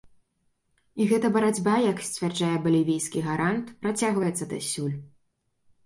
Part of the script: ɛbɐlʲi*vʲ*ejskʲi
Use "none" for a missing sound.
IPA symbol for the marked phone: vʲ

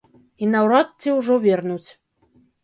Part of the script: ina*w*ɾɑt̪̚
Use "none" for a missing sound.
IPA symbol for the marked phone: w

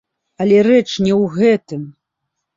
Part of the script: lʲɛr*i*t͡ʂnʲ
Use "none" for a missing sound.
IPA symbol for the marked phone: ɛ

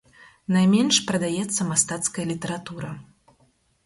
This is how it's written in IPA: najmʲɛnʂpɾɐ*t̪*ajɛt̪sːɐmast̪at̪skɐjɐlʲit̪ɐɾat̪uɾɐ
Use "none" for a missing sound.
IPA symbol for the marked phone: d̪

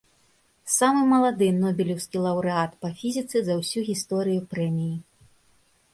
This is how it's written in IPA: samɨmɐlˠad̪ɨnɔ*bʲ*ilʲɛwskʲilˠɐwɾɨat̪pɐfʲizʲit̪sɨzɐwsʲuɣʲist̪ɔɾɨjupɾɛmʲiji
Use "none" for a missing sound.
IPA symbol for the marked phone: bʲ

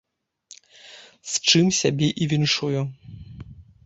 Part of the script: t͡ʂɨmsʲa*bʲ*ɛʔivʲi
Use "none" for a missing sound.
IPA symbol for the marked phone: bʲ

